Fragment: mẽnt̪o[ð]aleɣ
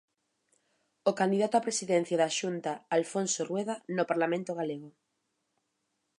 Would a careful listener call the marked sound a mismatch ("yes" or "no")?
yes